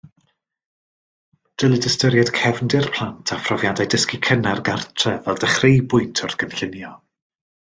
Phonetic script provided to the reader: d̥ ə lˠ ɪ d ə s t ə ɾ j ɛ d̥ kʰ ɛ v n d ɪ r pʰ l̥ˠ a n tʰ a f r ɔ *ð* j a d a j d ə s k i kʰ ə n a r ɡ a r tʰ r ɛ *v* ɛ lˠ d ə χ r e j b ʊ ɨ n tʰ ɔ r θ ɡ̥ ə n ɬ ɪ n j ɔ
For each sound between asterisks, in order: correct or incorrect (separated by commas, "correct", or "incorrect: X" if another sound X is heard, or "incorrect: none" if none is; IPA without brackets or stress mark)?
incorrect: v, correct